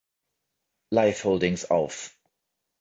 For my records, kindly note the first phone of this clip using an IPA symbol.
l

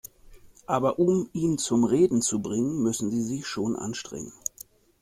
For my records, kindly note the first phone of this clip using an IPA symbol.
ʔ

